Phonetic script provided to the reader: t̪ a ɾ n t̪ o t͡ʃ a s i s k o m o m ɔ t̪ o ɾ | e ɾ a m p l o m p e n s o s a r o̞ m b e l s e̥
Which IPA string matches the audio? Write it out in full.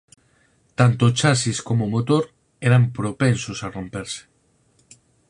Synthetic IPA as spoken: t̪ a n t̪ o t͡ʃ a s i s k o m o m o t̪ o ɾ | e ɾ a m p ɾ o p e n s o s a r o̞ m p e ɾ s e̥